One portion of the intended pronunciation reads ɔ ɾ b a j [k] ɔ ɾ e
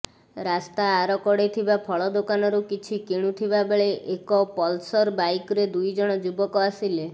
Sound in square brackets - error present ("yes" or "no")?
no